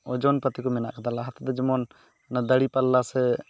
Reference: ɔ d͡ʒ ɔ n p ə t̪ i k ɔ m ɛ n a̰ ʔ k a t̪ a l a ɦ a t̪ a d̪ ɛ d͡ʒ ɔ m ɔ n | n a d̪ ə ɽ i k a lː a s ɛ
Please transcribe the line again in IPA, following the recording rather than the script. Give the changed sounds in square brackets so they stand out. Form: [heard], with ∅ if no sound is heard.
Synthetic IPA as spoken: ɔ d͡ʒ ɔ n p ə t̪ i k ɔ m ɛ n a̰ ʔ k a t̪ a l a ɦ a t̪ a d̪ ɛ d͡ʒ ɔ m ɔ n | n a d̪ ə ɽ i [p] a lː a s ɛ